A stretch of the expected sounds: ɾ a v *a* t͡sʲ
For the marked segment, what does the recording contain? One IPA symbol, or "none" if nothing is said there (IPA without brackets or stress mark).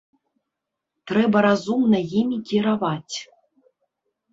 a